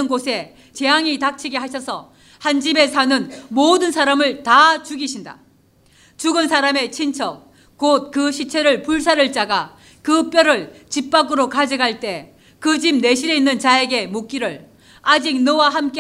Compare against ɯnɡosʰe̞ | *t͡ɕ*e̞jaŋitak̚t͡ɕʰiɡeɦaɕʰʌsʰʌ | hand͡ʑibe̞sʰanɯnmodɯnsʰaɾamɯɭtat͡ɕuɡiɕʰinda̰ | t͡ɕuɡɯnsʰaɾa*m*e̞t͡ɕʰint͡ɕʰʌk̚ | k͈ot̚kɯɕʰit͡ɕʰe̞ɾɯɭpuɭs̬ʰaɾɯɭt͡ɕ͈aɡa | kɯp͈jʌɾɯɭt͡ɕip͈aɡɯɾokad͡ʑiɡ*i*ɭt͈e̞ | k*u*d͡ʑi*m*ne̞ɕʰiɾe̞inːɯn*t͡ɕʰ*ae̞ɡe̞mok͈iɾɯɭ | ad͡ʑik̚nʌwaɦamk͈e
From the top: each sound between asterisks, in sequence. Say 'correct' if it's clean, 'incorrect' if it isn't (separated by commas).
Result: correct, correct, incorrect, incorrect, correct, incorrect